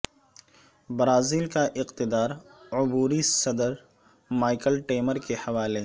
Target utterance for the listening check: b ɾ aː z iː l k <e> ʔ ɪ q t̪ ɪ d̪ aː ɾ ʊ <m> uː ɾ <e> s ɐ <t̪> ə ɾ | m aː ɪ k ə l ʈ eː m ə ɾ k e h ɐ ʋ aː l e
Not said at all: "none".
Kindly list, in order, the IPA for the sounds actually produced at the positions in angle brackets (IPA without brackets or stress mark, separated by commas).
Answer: a, b, i, d̪